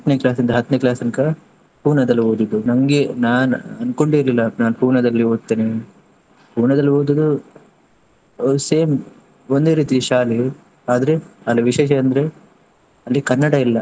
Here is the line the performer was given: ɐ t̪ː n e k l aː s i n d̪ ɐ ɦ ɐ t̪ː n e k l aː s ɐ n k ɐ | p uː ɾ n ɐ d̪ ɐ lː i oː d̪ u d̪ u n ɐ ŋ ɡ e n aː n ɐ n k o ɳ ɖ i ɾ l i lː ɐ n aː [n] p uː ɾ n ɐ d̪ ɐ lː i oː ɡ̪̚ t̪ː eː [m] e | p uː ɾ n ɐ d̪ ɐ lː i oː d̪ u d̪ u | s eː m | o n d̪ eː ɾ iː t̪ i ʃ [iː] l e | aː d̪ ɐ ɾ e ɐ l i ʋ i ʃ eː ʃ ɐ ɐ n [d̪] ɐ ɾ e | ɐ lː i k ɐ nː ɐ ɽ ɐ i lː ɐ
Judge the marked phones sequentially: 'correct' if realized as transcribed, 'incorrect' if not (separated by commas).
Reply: correct, incorrect, incorrect, correct